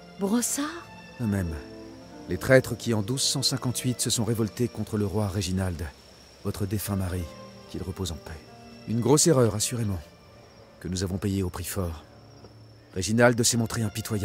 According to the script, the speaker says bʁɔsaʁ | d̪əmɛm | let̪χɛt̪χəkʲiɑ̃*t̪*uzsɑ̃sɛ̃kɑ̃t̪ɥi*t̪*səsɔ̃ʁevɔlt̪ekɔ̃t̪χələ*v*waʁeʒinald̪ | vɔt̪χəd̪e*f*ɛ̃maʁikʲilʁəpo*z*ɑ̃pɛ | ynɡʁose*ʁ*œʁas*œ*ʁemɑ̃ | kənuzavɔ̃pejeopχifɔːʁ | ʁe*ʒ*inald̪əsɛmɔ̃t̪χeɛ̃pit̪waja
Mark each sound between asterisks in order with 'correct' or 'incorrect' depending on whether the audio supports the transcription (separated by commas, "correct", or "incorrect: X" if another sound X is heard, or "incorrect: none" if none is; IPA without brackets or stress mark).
incorrect: d̪, correct, incorrect: ʁ, correct, correct, correct, incorrect: y, correct